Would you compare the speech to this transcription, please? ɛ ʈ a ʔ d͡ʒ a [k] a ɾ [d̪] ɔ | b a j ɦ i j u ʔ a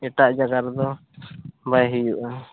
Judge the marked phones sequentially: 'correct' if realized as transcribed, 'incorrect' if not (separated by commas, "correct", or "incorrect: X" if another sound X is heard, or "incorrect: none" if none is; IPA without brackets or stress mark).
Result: incorrect: ɡ, correct